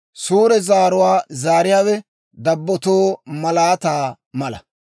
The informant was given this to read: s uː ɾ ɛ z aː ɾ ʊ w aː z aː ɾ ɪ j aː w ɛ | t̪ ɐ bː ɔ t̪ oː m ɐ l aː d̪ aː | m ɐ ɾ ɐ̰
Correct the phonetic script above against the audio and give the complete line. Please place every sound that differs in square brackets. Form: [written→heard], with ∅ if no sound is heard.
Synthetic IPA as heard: s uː ɾ ɛ z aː ɾ ʊ w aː z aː ɾ ɪ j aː w ɛ | [t̪→d̪] ɐ bː ɔ t̪ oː m ɐ l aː [d̪→t̪] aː | m ɐ [ɾ→l] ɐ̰